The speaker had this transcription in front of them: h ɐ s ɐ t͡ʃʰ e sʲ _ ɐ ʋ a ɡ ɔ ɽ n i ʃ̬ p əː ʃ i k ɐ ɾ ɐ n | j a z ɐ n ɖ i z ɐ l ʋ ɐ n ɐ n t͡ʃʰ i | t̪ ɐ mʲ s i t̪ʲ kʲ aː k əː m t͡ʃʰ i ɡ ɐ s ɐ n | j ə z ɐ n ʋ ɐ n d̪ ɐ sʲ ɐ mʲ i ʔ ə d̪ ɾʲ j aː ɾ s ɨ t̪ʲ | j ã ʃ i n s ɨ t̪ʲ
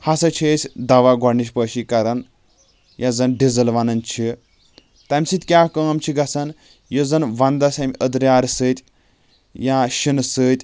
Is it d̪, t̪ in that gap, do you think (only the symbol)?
d̪